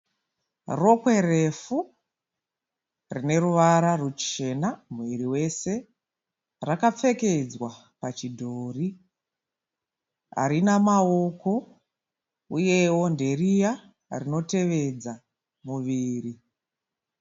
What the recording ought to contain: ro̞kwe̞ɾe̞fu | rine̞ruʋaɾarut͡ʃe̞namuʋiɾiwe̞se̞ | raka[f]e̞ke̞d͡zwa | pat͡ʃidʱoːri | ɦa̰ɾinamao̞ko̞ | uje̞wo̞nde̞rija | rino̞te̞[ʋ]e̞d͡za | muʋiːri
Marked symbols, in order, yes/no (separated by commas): no, yes